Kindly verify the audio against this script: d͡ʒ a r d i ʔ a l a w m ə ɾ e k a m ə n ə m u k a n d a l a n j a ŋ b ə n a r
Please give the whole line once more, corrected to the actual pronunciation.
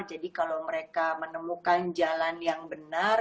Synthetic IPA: d͡ʒ a d i k a l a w m ə ɾ e k a m ə n ə m u k a n d͡ʒ a l a n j a ŋ b ə n a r